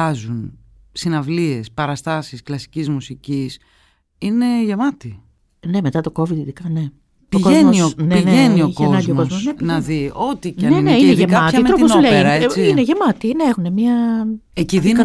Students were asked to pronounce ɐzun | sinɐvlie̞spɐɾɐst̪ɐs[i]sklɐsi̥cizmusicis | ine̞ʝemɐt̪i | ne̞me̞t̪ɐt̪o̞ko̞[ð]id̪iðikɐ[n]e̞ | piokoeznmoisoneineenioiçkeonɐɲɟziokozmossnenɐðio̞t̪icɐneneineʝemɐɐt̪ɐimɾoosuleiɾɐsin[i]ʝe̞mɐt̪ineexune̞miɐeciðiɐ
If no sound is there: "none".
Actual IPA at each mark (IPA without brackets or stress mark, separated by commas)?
i, v, n, e